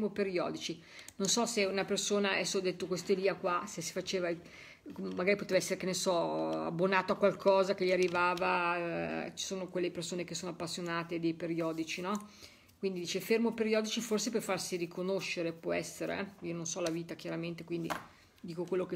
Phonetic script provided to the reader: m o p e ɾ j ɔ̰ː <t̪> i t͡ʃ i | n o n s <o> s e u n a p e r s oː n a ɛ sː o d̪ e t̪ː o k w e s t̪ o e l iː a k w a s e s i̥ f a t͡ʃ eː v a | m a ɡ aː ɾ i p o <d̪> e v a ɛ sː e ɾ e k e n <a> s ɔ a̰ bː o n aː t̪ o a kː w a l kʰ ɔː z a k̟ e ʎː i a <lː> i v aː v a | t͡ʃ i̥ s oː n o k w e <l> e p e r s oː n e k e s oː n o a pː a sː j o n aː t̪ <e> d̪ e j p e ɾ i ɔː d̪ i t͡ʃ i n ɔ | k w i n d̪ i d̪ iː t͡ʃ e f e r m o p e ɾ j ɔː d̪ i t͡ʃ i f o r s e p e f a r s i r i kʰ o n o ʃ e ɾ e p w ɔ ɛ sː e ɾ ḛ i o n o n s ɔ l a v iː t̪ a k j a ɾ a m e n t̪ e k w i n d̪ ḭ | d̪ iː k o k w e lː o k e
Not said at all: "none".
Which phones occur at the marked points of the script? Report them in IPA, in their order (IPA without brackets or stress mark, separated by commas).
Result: d̪, ɔ, t̪, e, rː, lː, e